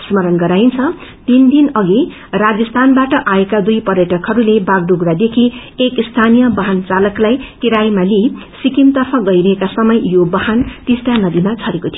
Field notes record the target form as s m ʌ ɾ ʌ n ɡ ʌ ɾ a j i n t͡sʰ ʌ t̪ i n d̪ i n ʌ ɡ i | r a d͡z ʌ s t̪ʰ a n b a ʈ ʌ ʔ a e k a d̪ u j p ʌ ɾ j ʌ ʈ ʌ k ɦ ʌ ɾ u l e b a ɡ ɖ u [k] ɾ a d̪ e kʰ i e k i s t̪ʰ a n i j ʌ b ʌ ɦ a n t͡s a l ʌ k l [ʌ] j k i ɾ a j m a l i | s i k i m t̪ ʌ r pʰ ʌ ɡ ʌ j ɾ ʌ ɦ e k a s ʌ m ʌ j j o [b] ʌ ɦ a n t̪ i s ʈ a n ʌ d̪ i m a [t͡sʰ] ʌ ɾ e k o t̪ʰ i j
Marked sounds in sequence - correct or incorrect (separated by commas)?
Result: incorrect, incorrect, correct, correct